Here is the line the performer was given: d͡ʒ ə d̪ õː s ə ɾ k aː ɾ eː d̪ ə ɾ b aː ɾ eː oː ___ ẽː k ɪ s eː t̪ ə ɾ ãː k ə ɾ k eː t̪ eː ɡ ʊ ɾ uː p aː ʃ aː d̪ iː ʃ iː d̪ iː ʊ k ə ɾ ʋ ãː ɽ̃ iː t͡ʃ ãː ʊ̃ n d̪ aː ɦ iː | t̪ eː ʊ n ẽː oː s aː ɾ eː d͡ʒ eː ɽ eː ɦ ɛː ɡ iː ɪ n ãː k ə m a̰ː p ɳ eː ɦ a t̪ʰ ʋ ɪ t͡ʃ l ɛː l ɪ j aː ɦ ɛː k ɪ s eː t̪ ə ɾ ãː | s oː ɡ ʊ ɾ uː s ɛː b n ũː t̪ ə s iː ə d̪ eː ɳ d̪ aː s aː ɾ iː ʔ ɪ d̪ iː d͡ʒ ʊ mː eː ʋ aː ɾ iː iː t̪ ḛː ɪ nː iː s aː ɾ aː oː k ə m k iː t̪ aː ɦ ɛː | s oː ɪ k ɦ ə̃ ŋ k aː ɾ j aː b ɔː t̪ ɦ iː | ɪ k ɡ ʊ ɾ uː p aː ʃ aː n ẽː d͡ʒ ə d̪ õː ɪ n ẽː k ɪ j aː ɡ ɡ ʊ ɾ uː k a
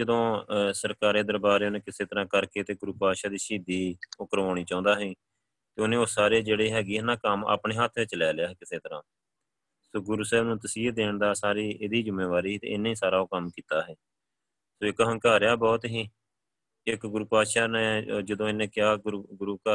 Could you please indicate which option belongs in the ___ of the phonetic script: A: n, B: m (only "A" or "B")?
A